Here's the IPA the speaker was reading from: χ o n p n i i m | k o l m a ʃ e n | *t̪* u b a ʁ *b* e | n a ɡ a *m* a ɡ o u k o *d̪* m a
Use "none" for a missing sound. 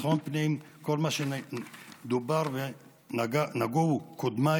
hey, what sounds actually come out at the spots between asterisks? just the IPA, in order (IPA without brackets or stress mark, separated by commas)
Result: d̪, v, n, d̪